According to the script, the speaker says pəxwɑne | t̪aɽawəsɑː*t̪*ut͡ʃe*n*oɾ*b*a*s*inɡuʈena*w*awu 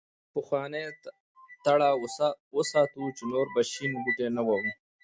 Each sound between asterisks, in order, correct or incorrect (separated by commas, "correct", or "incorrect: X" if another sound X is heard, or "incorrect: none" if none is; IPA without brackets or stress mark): correct, correct, correct, incorrect: ʃ, correct